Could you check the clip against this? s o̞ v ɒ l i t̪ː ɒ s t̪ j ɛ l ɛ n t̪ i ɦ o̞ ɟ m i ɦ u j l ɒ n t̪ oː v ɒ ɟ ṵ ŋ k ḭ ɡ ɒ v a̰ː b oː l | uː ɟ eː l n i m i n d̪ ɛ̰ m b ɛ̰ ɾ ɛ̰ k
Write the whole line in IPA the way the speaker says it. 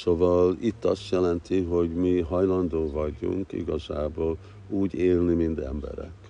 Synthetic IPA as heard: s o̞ v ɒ l i t̪ː ɒ s t̪ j ɛ l ɛ n t̪ i ɦ o̞ ɟ m i ɦ ɒ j l ɒ n d̪ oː v ɒ ɟ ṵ ŋ k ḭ ɡ ɒ z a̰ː b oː l | uː ɟ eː l n i m i n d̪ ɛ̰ m b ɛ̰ ɾ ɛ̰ k